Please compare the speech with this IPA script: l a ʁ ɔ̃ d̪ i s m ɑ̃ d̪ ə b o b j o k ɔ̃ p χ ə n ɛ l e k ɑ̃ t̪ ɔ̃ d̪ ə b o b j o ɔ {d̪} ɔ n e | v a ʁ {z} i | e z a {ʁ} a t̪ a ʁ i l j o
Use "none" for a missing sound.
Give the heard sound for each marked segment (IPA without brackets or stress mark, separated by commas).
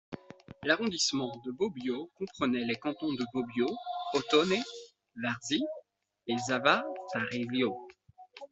t̪, z, v